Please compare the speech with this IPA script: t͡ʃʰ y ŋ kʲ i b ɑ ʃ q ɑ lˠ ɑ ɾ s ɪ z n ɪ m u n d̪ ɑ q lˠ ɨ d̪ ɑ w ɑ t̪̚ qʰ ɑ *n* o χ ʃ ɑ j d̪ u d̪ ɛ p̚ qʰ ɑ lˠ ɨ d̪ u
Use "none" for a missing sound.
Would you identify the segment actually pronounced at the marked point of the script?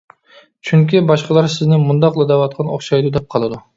n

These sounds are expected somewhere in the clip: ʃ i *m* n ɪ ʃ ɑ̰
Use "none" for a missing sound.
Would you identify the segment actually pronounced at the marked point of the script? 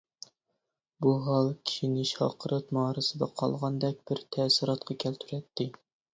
none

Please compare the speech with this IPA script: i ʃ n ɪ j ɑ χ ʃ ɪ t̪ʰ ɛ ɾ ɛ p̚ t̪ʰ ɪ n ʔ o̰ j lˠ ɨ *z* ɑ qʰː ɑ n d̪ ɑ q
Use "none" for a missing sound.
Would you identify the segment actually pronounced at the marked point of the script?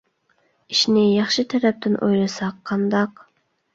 s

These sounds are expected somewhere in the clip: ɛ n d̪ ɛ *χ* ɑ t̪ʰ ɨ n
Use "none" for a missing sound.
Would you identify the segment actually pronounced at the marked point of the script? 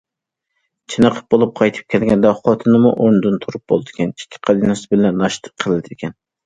χ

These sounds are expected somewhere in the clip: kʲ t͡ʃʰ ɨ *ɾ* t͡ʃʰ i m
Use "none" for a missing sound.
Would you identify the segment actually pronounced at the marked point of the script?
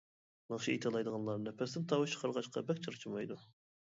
ɾ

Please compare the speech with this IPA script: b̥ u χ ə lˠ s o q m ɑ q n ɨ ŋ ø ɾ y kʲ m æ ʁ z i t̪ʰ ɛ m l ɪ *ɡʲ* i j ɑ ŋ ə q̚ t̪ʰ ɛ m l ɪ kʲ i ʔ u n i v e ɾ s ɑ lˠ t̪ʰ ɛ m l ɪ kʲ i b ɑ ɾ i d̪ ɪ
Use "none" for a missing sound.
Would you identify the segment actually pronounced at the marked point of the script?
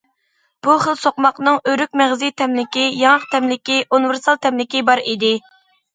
kʲ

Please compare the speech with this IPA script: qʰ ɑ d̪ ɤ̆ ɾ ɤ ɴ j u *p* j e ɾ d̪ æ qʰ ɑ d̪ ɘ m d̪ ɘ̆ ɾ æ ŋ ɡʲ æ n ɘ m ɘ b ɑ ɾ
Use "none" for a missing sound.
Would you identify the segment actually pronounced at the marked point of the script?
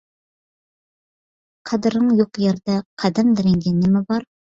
q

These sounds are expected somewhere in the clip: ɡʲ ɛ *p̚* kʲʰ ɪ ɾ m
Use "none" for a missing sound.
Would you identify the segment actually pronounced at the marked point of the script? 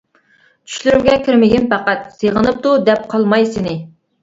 none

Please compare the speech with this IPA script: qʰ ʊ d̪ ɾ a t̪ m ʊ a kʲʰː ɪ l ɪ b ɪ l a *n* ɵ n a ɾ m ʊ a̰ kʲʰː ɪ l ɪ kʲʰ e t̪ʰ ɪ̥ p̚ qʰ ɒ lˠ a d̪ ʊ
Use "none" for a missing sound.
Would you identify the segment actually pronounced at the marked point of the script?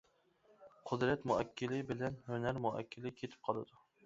n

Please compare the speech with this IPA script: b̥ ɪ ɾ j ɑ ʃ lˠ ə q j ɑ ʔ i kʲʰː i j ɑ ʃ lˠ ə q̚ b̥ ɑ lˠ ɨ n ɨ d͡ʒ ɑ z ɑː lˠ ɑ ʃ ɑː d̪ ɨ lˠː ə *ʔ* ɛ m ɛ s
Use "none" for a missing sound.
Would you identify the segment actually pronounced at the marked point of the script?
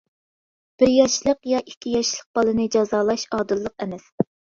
q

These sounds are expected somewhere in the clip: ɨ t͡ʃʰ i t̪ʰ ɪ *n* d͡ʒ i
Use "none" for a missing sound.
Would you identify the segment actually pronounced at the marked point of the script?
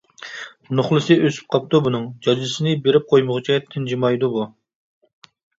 n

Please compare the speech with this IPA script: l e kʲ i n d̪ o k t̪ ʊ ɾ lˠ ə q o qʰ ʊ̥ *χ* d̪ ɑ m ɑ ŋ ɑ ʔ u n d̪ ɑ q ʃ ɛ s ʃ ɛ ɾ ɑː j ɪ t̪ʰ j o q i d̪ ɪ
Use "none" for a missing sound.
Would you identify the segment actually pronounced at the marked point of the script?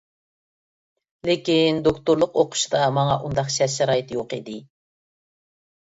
ʃ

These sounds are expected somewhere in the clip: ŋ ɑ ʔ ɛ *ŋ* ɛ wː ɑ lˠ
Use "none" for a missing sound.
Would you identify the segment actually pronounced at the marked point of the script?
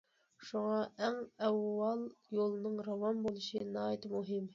ŋ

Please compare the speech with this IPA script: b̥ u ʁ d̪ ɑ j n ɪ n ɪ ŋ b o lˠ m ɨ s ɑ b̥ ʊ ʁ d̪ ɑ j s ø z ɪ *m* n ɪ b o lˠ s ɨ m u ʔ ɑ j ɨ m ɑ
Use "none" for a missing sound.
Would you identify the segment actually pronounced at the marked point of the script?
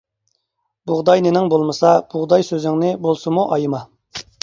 ŋ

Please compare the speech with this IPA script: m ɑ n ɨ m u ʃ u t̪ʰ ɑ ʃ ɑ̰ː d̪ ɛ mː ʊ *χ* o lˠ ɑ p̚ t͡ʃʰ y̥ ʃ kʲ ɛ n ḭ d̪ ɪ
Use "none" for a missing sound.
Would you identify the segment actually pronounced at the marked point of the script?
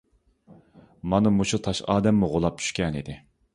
ʁ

